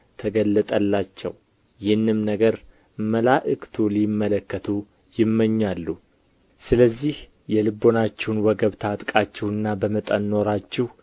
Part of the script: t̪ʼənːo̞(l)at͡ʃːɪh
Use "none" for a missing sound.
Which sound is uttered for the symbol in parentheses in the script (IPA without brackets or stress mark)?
ɾ